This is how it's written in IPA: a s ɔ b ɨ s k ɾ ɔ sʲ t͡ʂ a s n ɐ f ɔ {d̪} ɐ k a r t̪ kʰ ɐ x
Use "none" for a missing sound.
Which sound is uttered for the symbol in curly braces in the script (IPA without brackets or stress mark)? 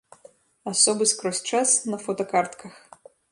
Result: t̪